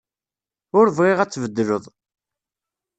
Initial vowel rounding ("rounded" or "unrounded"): rounded